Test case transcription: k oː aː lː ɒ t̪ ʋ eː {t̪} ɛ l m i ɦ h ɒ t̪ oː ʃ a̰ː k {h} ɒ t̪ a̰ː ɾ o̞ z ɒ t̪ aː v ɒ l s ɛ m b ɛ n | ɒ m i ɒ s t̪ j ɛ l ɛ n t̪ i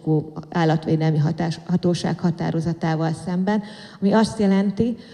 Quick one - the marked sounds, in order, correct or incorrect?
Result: incorrect: d̪, correct

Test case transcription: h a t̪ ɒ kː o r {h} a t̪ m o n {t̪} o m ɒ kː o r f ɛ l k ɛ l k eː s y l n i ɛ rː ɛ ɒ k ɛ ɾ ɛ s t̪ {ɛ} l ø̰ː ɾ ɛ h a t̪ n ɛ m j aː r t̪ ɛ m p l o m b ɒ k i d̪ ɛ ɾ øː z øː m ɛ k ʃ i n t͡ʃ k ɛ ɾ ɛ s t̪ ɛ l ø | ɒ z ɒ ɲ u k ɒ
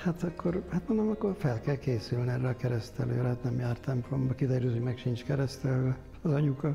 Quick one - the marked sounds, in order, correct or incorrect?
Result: correct, incorrect: d̪, correct

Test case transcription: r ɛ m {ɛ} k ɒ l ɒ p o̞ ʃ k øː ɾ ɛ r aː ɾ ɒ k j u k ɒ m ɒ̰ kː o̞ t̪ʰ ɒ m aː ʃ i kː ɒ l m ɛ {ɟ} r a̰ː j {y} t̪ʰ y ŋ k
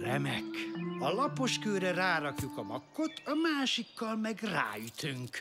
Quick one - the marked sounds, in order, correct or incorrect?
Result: correct, incorrect: ɡ, correct

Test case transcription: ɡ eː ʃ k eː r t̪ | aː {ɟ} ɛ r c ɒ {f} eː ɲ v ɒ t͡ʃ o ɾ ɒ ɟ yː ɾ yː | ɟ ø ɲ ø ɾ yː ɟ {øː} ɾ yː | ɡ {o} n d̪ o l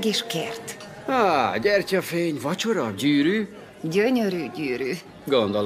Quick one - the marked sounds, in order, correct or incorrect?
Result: correct, correct, incorrect: yː, correct

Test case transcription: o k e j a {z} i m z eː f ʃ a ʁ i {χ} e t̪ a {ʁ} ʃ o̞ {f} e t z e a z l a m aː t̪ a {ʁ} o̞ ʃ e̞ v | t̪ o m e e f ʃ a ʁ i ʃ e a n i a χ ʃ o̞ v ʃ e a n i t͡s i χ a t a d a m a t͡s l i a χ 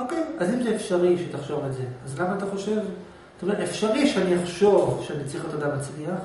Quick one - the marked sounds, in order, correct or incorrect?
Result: correct, incorrect: ʃ, incorrect: χ, incorrect: v, incorrect: χ

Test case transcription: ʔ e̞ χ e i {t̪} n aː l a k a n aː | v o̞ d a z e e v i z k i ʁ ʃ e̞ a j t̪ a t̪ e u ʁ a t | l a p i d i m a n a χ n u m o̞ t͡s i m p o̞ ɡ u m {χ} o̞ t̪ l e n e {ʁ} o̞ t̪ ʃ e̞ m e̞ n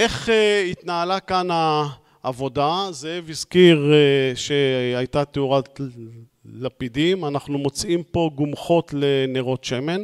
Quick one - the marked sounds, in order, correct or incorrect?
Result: correct, correct, correct

